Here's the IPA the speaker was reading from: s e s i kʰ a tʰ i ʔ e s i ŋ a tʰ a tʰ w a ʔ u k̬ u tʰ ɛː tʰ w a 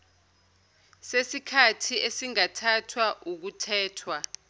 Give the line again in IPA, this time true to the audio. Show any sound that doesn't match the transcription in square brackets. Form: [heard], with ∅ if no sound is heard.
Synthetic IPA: s e s i kʰ a tʰ i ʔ e s i ŋ a tʰ a tʰ w a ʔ u k̬ u tʰ ɛː tʰ w a